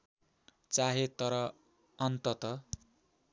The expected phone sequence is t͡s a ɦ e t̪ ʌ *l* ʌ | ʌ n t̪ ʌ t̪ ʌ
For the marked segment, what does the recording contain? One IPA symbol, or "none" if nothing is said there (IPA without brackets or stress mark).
ɾ